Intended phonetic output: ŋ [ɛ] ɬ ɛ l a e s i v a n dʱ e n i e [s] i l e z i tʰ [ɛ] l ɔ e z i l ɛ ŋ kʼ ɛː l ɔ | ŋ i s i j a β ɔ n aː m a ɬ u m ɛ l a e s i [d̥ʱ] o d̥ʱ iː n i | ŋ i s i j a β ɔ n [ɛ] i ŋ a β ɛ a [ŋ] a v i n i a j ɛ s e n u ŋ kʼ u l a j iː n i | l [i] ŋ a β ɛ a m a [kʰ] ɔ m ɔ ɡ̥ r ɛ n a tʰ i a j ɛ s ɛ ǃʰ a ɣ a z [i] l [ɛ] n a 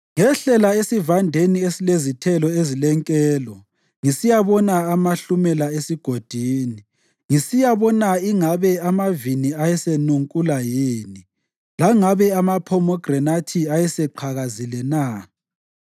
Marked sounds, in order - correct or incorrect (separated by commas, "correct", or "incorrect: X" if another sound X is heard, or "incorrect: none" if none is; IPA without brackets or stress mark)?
correct, correct, correct, incorrect: ɡ̥ʱ, incorrect: a, incorrect: m, incorrect: a, incorrect: pʰ, correct, correct